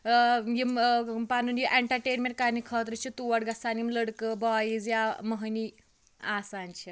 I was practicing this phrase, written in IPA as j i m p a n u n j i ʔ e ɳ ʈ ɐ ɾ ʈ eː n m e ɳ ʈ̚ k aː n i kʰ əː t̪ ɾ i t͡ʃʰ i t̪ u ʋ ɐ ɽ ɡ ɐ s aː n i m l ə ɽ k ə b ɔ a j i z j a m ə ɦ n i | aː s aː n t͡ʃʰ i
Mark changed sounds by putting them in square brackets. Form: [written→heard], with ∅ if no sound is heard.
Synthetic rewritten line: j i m p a n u n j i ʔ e ɳ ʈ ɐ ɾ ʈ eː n m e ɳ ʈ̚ k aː n i kʰ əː t̪ ɾ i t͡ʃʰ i t̪ u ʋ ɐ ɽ ɡ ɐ s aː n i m l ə ɽ k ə b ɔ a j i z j a m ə ɦ n i | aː s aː n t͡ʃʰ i